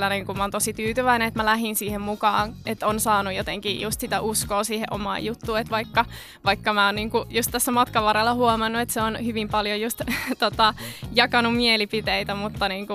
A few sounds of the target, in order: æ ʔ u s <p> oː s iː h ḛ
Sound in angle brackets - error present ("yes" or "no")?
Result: yes